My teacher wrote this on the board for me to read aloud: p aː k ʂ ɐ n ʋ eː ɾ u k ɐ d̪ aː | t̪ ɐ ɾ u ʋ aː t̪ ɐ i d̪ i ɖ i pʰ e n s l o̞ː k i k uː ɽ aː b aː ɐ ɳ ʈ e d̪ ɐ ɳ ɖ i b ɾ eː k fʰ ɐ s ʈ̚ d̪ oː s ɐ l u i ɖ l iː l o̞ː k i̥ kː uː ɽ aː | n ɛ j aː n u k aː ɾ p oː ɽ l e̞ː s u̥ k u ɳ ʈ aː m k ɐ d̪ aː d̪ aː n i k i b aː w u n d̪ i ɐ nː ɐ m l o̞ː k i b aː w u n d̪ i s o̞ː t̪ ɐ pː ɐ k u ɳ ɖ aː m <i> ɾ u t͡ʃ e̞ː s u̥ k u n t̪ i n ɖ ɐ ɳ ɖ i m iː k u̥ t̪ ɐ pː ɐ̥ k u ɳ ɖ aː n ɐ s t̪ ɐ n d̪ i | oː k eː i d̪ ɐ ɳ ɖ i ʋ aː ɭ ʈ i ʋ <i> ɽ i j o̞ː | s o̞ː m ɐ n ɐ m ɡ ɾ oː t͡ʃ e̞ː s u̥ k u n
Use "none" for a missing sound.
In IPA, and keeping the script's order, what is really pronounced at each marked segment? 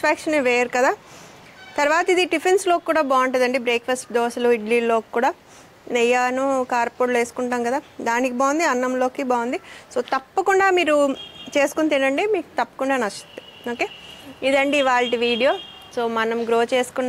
iː, iː

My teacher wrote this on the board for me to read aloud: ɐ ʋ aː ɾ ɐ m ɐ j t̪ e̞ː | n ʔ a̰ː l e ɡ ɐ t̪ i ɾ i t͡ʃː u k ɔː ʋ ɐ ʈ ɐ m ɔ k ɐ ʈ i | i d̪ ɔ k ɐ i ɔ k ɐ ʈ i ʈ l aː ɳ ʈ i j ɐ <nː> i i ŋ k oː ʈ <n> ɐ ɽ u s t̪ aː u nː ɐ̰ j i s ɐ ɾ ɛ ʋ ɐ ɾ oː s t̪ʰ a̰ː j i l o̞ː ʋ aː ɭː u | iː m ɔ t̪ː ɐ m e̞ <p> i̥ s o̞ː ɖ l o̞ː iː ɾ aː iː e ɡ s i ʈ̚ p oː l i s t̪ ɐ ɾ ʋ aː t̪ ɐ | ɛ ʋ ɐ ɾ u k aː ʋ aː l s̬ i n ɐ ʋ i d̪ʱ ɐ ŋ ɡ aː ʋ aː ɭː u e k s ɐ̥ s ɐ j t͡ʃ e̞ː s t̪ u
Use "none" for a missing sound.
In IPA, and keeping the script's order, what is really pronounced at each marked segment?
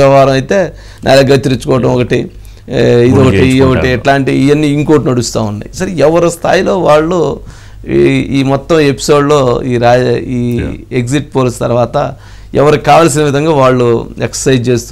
nː, n, p

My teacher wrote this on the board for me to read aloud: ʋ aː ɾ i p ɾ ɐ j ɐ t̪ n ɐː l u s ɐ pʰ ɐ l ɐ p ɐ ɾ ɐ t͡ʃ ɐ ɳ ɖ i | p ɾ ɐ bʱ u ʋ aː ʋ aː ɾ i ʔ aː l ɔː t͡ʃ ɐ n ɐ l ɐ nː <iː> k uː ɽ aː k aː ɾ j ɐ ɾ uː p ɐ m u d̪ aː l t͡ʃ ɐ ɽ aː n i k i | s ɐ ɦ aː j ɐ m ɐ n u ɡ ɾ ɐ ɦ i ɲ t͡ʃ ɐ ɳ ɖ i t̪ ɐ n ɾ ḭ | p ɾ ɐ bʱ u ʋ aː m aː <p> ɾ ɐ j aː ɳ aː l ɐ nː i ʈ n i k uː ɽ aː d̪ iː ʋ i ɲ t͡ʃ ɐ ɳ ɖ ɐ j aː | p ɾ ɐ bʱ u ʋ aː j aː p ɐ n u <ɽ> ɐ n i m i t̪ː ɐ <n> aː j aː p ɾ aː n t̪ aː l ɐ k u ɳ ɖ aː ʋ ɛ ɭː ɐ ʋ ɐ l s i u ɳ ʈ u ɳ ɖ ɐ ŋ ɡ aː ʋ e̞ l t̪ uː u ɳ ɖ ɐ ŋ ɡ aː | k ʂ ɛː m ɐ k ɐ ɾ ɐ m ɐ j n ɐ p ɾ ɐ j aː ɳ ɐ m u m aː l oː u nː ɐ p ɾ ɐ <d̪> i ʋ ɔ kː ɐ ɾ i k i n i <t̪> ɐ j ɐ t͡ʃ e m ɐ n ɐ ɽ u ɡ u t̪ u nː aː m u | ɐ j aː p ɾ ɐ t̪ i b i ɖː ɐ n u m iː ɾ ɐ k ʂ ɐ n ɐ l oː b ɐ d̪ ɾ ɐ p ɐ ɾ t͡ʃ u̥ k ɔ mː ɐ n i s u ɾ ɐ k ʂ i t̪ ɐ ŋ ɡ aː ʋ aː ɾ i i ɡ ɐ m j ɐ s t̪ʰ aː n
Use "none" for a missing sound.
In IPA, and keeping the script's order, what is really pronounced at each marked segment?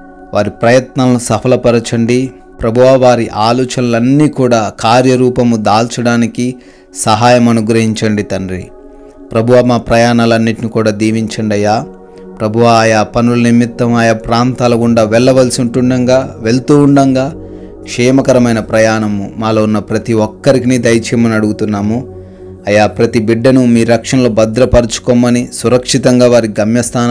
iː, p, l, m, t̪, d̪

